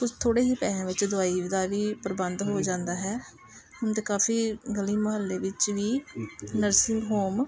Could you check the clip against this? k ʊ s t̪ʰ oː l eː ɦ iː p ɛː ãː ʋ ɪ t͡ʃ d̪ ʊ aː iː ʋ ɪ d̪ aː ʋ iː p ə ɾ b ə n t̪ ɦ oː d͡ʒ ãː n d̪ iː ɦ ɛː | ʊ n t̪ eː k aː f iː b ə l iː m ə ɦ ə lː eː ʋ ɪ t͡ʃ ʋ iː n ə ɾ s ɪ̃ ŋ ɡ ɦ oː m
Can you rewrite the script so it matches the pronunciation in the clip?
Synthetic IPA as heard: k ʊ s t̪ʰ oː ɽ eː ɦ iː p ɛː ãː ʋ ɪ t͡ʃ d̪ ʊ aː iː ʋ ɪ d̪ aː ʋ iː p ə ɾ b ə n d̪ ɦ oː d͡ʒ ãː n d̪ aː ɦ ɛː | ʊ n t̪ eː k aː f iː ɡ ə l iː m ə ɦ ə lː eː ʋ ɪ t͡ʃ ʋ iː n ə ɾ s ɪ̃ ŋ ɡ ɦ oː m